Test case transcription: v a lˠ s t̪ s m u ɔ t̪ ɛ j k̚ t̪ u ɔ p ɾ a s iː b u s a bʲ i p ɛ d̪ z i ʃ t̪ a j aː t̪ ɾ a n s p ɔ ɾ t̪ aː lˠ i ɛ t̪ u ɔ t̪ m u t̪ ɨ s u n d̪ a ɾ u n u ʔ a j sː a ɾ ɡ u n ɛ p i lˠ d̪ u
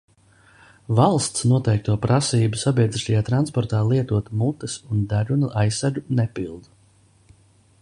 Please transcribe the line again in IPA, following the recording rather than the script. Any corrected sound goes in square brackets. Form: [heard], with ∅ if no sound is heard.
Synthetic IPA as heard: v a lˠ s t̪ s [n] u ɔ t̪ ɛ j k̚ t̪ u ɔ p ɾ a s iː b u s a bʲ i [∅] ɛ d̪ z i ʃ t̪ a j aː t̪ ɾ a n s p ɔ ɾ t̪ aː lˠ i ɛ t̪ u ɔ t̪ m u t̪ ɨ s u n d̪ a ɾ u n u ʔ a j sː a ɾ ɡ u n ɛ p i lˠ d̪ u